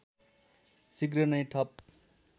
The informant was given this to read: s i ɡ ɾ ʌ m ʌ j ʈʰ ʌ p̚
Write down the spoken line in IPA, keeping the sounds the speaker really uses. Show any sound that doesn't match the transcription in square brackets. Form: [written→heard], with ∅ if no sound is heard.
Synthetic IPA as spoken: s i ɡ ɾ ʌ [m→n] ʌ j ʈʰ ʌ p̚